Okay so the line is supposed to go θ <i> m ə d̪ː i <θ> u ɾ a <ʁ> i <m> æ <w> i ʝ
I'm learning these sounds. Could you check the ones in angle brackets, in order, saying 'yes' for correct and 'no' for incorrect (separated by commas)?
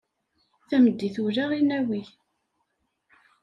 no, yes, yes, no, yes